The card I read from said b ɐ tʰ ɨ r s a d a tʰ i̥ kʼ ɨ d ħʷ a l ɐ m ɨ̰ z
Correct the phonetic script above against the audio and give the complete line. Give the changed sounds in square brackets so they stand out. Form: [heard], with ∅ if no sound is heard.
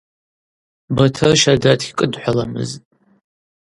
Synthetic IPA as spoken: b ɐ tʰ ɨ r [ʃ] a d a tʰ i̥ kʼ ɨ d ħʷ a l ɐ m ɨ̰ z